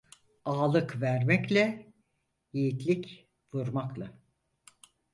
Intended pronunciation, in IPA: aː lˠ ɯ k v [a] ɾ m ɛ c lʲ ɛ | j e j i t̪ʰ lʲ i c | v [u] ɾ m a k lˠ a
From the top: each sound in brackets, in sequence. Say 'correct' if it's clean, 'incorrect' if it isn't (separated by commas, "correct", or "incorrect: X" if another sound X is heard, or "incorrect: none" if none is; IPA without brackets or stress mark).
incorrect: æ, correct